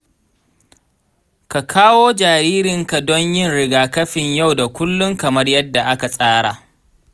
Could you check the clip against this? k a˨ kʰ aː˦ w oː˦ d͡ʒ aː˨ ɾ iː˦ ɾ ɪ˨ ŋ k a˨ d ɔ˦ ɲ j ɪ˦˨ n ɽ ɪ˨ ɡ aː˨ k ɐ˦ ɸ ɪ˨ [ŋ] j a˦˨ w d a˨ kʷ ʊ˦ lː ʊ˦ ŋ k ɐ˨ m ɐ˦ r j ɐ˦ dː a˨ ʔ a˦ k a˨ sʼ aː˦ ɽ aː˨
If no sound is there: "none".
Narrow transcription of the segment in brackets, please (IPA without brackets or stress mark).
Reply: ɲ